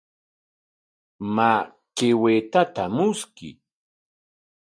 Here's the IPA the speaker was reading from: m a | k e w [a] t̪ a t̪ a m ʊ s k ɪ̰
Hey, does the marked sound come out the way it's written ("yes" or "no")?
no